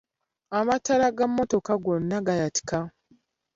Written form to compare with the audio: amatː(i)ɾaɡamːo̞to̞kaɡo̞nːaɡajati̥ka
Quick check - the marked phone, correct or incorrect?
incorrect